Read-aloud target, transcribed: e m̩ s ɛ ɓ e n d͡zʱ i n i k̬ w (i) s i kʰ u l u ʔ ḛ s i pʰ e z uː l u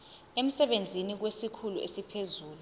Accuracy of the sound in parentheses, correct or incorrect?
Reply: incorrect